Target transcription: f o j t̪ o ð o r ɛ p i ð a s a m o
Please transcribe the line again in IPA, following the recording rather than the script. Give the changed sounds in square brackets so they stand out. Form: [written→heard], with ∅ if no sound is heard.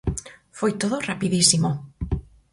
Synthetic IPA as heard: f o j t̪ o ð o r [ɛ→a] p i ð [a→i] s [a→i] m o